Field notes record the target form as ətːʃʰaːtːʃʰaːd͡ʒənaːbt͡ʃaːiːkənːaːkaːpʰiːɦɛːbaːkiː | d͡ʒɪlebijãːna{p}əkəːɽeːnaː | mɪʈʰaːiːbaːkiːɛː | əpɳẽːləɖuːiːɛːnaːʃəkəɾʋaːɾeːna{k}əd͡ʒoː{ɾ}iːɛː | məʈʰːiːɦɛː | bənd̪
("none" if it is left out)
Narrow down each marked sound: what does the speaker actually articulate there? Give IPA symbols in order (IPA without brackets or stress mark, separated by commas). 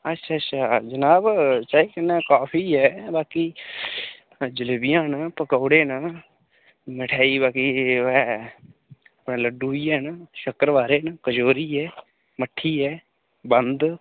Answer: p, k, ɾ